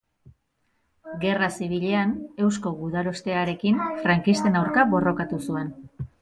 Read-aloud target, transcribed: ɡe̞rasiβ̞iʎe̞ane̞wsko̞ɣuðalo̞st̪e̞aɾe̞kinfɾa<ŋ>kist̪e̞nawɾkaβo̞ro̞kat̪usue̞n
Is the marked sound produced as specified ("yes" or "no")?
yes